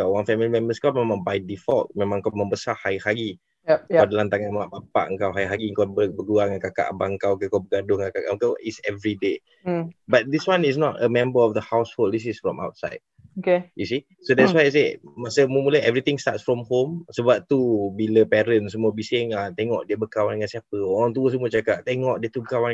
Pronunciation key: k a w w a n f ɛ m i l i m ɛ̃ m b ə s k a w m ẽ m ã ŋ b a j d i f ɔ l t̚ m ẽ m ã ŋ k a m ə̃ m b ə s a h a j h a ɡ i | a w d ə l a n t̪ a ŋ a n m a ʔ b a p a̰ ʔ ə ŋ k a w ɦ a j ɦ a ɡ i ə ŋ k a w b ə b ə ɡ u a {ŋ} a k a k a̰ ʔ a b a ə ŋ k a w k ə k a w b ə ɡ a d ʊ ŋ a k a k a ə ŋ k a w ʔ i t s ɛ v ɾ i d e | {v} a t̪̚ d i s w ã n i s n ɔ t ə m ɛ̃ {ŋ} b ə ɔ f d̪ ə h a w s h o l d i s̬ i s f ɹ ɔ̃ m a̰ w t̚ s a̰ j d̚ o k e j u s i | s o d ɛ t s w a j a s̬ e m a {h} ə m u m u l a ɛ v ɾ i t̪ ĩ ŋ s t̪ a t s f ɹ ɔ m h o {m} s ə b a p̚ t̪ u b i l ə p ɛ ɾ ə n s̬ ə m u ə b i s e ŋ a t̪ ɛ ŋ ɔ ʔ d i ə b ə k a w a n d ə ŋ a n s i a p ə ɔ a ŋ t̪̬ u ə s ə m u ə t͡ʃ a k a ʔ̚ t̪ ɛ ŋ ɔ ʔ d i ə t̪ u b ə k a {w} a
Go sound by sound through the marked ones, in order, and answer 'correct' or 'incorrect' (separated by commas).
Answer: correct, incorrect, incorrect, incorrect, correct, correct